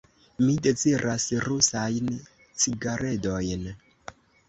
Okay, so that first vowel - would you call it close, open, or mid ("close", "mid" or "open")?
close